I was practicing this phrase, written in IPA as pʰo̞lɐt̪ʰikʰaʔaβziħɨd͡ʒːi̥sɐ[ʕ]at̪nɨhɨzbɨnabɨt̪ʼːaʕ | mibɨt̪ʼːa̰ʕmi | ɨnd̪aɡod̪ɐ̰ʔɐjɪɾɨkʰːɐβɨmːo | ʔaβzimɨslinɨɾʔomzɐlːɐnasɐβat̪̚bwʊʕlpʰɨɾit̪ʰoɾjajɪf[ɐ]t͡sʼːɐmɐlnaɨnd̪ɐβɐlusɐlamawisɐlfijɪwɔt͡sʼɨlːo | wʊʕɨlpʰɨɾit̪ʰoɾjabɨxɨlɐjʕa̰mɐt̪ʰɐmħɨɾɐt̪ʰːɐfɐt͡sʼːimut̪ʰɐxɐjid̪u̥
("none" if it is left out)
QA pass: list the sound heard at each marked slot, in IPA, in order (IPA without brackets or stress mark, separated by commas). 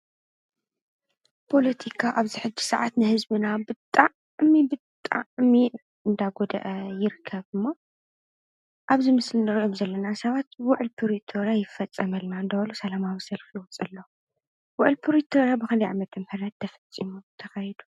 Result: ʕ, ɐ